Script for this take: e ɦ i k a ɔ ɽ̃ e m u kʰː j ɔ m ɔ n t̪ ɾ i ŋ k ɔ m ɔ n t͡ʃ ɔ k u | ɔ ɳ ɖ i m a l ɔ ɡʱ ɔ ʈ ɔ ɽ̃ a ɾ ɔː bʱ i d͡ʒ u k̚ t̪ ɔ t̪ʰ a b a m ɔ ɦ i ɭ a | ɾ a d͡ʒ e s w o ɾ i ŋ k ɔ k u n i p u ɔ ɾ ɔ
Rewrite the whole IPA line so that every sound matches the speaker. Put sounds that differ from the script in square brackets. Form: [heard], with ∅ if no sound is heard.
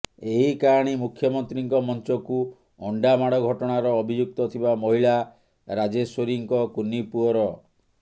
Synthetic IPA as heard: e ɦ i k a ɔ ɽ̃ [i] m u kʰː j ɔ m ɔ n t̪ ɾ i ŋ k ɔ m ɔ n t͡ʃ ɔ k u | ɔ ɳ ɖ [a] m a [ɽ] ɔ ɡʱ ɔ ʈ ɔ ɽ̃ a ɾ ɔː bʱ i d͡ʒ u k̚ t̪ ɔ t̪ʰ [i] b a m ɔ ɦ i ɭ a | ɾ a d͡ʒ e s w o ɾ i ŋ k ɔ k u n i p u ɔ ɾ ɔ